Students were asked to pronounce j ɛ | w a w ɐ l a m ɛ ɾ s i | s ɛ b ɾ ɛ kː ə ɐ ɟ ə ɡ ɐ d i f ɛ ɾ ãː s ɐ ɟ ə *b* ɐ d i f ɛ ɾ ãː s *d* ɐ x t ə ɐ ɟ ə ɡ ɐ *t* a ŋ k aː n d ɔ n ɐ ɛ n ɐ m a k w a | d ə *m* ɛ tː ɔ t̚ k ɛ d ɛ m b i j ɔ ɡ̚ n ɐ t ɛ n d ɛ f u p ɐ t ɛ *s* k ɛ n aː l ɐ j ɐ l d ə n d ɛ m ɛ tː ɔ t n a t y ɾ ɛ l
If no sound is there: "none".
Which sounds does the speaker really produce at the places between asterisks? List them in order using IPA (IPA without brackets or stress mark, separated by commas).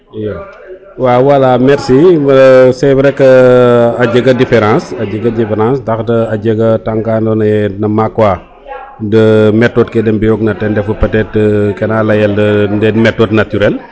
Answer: ɡ, d, t, m, t